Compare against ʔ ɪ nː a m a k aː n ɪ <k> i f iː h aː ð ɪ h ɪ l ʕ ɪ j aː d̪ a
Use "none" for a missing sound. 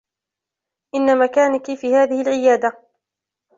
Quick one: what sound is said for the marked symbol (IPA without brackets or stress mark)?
k